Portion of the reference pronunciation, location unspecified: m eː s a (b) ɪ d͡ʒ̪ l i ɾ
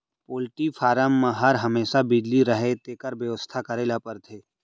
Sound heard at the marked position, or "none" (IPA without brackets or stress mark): b